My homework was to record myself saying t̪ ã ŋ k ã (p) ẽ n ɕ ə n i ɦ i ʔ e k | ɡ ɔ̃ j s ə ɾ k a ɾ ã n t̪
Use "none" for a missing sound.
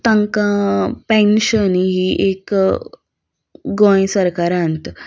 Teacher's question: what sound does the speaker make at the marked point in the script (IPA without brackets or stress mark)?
p